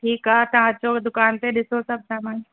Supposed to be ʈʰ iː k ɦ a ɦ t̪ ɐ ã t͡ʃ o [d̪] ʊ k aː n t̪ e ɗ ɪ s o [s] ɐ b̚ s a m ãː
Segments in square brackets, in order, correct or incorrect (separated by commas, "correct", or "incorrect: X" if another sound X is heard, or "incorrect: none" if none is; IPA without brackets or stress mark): correct, correct